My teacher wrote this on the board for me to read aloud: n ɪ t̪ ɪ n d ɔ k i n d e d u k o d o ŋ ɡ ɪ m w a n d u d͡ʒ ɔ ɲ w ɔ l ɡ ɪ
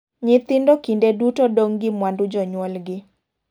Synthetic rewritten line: ɲ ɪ t̪ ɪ n d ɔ k i n d e d u t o d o ŋ ɡ ɪ m w a n d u d͡ʒ ɔ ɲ w ɔ l ɡ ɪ